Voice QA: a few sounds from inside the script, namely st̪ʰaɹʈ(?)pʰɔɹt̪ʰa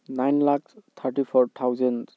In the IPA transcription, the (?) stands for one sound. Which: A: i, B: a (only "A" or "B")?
A